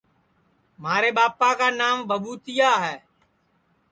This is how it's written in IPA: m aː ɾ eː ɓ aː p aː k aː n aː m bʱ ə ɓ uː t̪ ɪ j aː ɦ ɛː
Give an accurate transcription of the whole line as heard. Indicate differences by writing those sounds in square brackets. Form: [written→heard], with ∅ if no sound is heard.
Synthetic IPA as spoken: m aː ɾ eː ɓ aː p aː k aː n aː m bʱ ə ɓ uː t̪ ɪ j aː ɦ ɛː